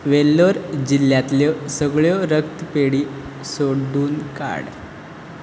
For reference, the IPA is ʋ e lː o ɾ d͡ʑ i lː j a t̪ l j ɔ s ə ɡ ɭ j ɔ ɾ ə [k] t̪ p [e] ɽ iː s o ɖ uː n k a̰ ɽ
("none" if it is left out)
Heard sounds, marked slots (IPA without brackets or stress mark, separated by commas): k, e